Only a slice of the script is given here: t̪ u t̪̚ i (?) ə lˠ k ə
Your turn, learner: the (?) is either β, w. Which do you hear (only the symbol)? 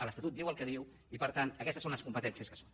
w